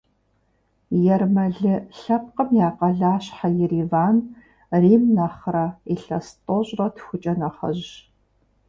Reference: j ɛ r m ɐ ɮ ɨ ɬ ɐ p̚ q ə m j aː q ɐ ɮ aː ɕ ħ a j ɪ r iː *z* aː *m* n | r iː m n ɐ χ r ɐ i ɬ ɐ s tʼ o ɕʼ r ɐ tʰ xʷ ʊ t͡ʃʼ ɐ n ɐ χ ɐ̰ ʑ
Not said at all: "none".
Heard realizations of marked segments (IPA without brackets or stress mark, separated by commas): v, none